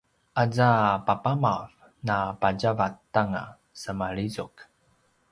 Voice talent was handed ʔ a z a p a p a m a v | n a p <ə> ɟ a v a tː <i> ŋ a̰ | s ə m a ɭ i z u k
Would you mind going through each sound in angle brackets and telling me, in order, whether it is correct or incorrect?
incorrect, incorrect

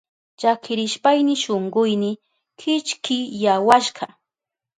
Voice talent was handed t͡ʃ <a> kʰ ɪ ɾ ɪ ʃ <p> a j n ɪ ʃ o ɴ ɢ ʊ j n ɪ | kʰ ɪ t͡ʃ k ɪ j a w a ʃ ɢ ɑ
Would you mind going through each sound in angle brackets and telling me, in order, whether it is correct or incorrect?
correct, correct

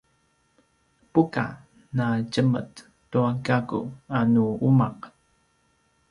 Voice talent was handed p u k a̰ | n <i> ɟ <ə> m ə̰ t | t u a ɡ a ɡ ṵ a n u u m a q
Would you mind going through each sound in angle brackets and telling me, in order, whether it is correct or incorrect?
incorrect, correct

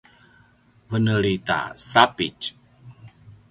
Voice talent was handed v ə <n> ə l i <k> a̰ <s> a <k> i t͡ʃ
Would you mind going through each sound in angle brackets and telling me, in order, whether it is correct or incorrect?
correct, incorrect, correct, incorrect

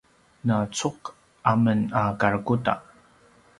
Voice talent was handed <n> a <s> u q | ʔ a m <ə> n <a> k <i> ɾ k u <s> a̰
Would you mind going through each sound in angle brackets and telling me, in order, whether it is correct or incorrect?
correct, incorrect, correct, correct, incorrect, incorrect

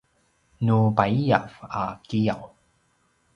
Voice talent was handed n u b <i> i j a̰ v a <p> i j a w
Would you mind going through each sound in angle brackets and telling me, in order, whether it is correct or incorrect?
incorrect, incorrect

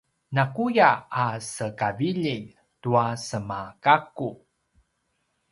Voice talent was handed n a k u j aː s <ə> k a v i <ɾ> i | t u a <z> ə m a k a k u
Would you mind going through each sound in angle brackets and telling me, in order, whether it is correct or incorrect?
correct, incorrect, incorrect

